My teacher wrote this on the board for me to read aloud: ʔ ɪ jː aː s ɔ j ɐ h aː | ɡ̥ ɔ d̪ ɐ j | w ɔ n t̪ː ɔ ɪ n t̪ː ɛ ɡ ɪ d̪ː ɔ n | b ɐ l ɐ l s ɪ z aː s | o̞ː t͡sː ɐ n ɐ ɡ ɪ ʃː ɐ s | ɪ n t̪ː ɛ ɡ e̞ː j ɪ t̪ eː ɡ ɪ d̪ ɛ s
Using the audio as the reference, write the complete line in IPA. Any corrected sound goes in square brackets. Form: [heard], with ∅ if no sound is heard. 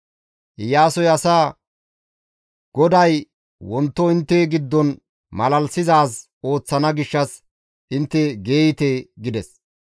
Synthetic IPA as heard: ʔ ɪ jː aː s ɔ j ɐ [s] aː | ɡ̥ ɔ d̪ ɐ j | w ɔ n t̪ː ɔ ɪ n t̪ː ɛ ɡ ɪ d̪ː ɔ n | [m] ɐ l ɐ l s ɪ z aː s | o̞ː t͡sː ɐ n ɐ ɡ ɪ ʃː ɐ s | ɪ n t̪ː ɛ ɡ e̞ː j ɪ t̪ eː ɡ ɪ d̪ ɛ s